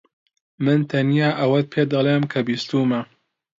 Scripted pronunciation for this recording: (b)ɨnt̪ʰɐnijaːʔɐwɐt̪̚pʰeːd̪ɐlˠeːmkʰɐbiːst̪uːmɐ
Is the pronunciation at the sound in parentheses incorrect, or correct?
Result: incorrect: m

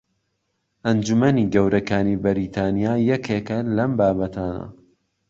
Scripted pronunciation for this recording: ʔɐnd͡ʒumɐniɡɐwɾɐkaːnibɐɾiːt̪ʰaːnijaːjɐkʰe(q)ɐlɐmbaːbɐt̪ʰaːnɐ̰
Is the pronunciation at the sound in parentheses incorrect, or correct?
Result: incorrect: k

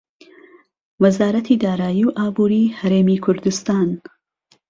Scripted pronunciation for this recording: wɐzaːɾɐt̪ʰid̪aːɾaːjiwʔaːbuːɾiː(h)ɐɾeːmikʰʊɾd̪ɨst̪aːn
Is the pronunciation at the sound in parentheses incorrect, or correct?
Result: correct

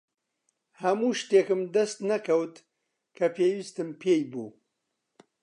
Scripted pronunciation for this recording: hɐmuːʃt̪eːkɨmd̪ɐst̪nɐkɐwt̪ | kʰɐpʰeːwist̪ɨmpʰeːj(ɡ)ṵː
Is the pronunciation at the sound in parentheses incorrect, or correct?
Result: incorrect: b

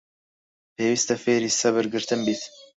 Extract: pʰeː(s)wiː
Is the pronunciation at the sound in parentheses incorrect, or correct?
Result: incorrect: none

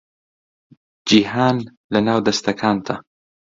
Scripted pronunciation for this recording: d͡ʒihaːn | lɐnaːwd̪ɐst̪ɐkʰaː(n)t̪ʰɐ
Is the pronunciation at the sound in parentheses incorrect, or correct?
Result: correct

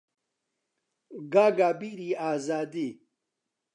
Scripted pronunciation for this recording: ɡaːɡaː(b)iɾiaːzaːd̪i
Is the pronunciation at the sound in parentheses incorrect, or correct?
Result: correct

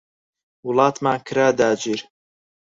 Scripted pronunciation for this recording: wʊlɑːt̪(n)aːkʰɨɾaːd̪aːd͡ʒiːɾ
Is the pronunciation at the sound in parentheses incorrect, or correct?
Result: incorrect: m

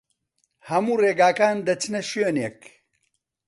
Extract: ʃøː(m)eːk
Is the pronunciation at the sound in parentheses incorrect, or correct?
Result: incorrect: n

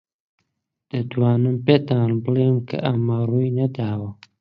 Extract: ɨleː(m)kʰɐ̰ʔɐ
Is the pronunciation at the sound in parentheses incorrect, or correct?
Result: correct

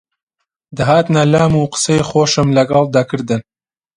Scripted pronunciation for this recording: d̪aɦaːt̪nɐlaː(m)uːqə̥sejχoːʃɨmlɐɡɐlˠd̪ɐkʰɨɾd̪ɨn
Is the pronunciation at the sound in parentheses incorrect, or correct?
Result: correct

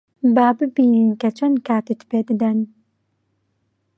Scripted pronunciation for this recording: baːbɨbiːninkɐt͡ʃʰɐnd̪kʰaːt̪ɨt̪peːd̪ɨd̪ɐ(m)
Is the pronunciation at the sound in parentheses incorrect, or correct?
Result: incorrect: n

